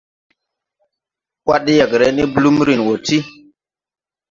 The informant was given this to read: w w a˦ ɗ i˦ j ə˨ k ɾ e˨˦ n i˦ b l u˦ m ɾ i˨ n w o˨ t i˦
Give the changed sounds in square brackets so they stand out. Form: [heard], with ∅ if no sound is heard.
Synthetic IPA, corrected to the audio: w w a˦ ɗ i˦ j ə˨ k ɾ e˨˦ n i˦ b l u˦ m ɾ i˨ n w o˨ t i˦